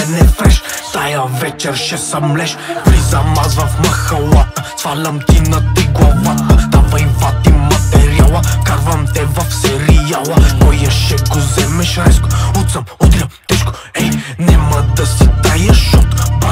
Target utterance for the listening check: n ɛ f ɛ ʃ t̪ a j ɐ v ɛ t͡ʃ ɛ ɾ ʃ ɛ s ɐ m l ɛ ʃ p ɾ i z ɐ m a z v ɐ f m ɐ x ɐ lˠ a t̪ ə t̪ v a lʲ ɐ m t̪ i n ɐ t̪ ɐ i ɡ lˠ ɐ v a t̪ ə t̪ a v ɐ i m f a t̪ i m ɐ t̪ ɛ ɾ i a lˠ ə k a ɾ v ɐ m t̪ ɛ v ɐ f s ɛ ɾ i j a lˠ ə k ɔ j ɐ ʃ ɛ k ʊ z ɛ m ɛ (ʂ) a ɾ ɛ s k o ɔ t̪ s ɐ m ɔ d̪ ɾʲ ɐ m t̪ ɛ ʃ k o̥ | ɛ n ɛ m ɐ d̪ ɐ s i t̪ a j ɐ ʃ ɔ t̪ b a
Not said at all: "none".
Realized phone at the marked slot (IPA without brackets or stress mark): ʃ